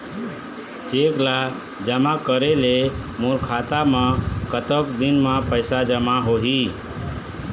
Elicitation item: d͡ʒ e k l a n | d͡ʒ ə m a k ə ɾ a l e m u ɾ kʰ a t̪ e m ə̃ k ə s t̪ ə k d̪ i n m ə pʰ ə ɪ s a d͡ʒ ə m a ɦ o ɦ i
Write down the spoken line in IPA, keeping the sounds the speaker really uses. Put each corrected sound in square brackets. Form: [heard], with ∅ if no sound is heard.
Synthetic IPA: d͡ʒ e k l a [∅] | d͡ʒ ə m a k ə ɾ [e] l e m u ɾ kʰ a t̪ [a] m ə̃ k ə [∅] t̪ ə k d̪ i n m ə [p] ə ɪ s a d͡ʒ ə m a ɦ o ɦ i